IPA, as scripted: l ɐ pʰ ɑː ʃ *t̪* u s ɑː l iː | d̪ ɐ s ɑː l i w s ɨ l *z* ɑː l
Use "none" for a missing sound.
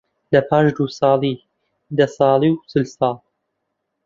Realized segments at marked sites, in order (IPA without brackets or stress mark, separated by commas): d̪, s